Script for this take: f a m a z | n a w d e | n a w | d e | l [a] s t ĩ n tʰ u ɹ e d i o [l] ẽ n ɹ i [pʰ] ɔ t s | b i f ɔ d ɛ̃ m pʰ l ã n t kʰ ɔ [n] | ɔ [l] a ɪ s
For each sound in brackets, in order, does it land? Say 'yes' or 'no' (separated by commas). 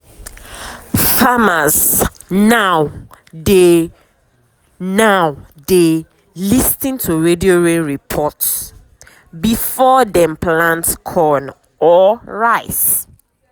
no, no, yes, yes, no